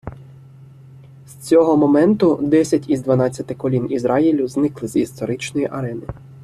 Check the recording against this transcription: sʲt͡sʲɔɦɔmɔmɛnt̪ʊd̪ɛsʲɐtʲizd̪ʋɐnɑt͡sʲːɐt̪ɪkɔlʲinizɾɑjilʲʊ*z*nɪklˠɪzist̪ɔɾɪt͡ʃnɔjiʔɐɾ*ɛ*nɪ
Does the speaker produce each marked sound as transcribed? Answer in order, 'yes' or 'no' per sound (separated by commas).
yes, yes